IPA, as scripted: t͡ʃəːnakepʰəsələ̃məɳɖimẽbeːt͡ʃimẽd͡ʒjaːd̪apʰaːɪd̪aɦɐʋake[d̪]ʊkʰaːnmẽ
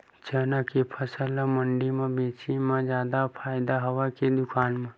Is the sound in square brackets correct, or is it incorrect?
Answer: correct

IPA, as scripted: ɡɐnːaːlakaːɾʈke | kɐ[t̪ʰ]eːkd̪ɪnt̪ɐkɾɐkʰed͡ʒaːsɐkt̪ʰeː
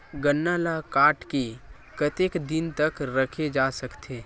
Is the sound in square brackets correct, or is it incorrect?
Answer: incorrect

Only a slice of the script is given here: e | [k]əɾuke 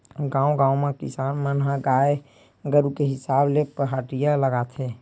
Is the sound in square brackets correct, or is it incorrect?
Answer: incorrect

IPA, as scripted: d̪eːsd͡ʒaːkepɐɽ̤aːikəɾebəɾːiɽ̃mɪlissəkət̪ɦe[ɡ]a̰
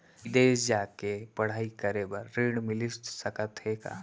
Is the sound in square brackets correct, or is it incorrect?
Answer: incorrect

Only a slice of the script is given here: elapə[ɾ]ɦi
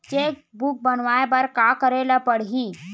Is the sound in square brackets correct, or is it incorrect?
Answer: incorrect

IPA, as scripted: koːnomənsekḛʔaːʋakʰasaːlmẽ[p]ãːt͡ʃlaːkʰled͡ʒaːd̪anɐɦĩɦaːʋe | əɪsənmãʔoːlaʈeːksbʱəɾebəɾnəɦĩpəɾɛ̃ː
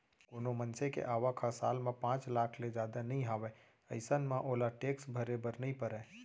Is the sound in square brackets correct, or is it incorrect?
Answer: correct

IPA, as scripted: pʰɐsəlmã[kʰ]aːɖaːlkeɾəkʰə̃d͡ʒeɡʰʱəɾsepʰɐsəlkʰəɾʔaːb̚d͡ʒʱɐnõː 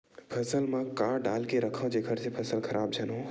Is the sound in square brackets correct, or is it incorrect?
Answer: incorrect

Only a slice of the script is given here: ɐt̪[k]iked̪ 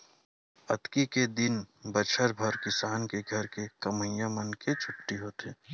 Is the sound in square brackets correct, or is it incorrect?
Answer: correct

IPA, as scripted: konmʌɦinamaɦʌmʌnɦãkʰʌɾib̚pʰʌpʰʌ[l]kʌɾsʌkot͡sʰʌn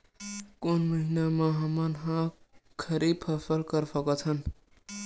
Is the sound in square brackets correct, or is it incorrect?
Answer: correct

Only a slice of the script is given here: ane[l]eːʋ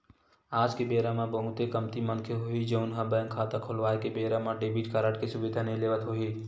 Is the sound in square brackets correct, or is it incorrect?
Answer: correct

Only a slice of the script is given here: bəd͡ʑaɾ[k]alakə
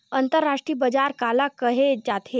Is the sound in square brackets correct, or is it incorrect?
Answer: correct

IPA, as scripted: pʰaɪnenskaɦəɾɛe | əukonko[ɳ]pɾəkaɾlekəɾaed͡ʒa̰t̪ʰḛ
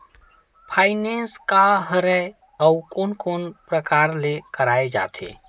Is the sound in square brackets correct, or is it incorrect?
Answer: incorrect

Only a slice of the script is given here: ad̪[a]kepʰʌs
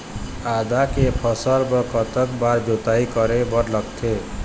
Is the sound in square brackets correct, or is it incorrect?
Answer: correct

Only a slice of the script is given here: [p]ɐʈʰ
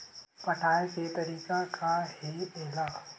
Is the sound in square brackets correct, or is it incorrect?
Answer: correct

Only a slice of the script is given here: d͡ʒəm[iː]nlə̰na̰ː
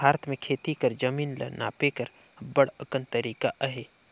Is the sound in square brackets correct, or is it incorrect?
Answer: correct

